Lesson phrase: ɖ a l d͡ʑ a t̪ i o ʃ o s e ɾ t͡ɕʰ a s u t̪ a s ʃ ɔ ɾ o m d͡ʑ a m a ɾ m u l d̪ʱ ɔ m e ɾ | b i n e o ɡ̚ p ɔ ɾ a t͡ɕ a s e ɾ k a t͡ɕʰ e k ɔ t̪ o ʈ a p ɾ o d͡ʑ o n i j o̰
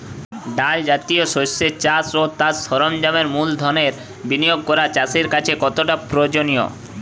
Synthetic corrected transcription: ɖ a l d͡ʑ a t̪ i o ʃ o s e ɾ t͡ɕ a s o t̪ a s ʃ ɔ ɾ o m d͡ʑ a m e ɾ m u l d̪ʱ ɔ n e ɾ | b i n i o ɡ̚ k ɔ ɾ a t͡ɕ a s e ɾ k a t͡ɕʰ e k ɔ t̪ o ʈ a p ɾ o d͡ʑ o n i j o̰